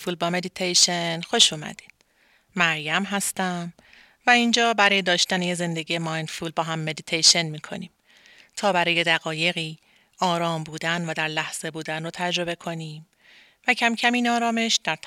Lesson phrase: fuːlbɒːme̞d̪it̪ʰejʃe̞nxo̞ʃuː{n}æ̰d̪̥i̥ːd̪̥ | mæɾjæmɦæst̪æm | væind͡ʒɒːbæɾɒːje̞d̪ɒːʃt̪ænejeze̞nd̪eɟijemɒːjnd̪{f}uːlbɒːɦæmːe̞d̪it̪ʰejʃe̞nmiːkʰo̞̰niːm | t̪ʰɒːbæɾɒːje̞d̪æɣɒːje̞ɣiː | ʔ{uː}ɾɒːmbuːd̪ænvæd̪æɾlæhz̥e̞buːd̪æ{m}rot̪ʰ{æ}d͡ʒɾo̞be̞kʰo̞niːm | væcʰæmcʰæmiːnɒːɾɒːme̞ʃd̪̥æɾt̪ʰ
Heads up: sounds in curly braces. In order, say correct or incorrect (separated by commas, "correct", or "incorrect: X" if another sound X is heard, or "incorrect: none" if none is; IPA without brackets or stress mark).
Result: incorrect: m, correct, incorrect: ɒː, incorrect: n, correct